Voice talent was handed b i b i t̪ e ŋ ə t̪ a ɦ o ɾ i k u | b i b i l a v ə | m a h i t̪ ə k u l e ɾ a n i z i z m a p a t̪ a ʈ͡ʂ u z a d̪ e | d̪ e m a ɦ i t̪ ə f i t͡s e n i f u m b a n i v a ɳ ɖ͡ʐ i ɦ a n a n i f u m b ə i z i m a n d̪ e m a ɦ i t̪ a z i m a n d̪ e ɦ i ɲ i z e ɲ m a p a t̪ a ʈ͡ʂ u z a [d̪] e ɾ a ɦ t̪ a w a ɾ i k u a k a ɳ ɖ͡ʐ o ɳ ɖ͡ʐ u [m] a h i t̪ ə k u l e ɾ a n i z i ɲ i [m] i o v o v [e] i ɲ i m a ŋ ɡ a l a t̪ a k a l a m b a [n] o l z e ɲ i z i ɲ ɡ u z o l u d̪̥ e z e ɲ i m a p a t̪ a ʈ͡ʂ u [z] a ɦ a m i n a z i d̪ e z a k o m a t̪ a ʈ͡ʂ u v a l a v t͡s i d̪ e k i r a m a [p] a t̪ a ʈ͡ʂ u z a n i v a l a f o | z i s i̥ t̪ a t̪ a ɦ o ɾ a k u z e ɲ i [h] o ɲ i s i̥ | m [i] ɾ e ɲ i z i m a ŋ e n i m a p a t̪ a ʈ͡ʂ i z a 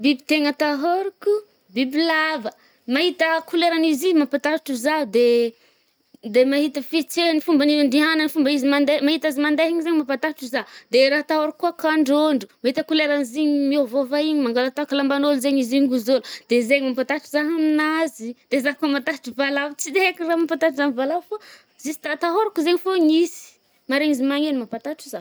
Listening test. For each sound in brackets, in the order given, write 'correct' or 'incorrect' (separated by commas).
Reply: correct, correct, correct, incorrect, correct, correct, correct, incorrect, incorrect